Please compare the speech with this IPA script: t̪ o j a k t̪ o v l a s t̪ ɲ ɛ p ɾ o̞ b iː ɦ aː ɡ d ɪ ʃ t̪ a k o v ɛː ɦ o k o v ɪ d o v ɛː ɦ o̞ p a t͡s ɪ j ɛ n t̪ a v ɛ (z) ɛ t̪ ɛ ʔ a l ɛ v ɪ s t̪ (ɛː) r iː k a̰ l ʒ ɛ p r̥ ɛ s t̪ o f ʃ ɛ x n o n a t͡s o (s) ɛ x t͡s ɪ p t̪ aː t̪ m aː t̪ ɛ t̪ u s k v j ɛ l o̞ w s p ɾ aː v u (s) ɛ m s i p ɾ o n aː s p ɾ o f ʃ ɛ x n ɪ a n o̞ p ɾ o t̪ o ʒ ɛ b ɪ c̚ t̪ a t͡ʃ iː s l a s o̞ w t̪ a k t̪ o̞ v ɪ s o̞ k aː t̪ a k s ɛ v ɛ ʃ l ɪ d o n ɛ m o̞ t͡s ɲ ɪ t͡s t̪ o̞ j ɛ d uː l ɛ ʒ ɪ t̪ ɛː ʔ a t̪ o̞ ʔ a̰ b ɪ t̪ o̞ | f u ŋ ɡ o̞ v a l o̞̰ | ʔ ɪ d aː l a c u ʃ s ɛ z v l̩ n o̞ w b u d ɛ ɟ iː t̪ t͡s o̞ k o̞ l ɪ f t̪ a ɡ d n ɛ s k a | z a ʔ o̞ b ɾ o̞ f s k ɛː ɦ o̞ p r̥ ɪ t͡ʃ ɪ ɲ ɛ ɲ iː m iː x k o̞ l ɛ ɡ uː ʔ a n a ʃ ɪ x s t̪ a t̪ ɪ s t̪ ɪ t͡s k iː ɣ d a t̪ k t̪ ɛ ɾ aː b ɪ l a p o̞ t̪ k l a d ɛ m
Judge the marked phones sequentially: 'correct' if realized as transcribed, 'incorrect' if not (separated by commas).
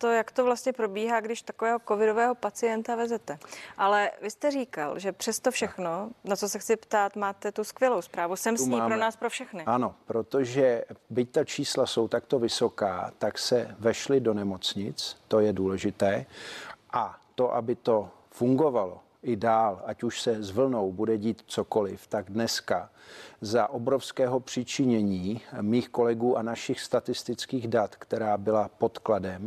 correct, incorrect, correct, correct